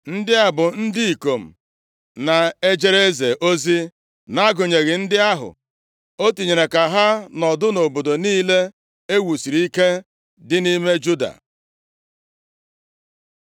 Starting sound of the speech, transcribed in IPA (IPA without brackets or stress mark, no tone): n̩